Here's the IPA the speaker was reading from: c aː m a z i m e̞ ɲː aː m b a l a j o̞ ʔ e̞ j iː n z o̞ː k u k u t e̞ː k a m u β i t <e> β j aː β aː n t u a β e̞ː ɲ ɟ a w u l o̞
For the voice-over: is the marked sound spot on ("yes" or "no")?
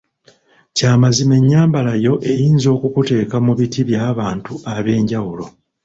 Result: no